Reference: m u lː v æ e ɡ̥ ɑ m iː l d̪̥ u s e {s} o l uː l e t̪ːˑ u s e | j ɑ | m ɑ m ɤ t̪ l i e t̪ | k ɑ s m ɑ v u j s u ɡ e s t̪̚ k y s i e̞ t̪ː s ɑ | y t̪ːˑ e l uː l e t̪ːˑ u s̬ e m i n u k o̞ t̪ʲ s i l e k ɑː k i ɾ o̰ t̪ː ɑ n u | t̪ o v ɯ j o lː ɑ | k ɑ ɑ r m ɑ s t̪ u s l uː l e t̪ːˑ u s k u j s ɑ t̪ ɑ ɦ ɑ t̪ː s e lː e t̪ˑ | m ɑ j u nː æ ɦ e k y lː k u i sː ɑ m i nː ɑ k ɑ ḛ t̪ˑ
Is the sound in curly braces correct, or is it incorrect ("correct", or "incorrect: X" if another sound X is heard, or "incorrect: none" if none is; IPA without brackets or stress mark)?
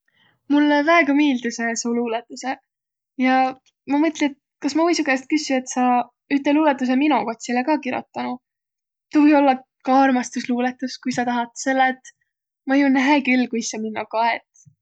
correct